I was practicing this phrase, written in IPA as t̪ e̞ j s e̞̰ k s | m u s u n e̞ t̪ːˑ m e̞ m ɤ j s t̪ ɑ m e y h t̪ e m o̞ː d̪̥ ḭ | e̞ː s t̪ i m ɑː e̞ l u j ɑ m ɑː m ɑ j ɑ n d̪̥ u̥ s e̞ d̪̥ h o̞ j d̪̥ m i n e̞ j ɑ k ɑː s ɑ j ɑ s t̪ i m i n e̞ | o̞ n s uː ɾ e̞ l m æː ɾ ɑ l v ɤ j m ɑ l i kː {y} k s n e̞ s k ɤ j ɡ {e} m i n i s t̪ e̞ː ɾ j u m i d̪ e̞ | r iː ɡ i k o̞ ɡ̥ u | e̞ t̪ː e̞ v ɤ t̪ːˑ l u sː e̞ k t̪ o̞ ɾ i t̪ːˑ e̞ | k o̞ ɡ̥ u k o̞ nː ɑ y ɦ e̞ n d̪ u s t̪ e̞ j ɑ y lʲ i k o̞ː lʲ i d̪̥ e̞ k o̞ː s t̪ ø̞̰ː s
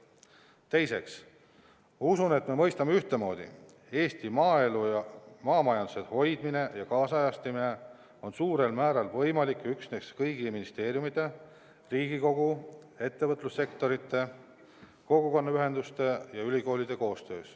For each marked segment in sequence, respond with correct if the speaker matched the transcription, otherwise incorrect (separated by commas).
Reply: correct, incorrect